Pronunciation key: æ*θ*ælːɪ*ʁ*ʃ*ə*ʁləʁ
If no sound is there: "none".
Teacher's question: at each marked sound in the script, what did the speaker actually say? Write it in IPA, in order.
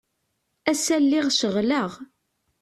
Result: s, ʁ, ə

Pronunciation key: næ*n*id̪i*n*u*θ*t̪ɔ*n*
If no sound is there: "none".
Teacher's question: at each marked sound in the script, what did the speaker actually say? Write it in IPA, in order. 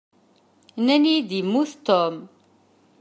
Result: n, m, θ, m

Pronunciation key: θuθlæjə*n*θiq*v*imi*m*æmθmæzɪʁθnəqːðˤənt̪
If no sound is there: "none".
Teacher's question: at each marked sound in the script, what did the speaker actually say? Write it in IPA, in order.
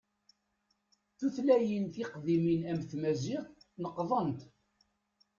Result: n, ð, n

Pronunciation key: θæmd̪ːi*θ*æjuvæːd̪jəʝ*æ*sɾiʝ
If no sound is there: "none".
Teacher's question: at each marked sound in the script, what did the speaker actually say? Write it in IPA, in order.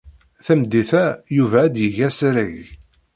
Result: θ, æ

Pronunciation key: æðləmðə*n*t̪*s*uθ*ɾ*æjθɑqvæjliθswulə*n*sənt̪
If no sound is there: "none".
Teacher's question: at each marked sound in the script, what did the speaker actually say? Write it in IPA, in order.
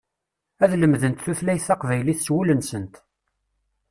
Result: n, θ, l, n

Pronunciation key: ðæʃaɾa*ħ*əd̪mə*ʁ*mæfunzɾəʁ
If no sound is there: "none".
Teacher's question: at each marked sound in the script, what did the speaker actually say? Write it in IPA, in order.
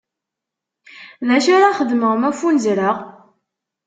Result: χ, ʁ

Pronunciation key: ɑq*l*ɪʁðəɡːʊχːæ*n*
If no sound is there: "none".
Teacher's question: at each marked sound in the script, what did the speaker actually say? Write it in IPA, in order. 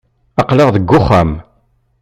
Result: l, m

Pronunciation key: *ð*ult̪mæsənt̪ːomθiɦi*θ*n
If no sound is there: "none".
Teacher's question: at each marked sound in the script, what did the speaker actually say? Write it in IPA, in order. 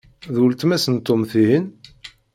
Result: ð, none

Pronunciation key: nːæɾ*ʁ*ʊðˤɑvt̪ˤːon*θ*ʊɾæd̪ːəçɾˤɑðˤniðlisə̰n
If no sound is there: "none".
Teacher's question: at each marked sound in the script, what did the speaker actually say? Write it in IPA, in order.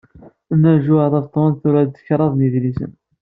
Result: ʒ, θ

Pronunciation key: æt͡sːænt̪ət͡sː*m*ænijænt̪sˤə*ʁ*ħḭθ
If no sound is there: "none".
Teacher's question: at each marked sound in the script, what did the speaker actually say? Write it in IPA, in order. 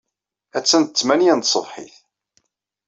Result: m, v

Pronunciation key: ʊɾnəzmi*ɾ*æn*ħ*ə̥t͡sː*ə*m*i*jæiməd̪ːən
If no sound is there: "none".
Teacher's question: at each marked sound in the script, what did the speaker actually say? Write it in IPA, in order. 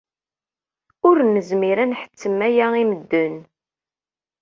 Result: ɾ, ħ, ə, æ

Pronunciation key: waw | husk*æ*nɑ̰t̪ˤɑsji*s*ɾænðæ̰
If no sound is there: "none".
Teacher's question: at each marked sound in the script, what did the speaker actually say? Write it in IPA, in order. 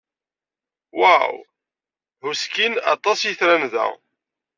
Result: i, θ

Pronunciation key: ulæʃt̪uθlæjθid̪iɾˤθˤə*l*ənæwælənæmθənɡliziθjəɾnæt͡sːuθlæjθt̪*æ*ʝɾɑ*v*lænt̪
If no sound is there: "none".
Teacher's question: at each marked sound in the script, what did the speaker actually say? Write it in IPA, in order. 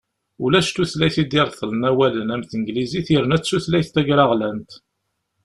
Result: l, æ, ʁ

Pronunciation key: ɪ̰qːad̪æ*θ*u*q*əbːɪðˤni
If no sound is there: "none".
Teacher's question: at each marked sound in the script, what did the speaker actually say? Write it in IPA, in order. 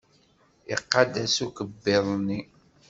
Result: s, k

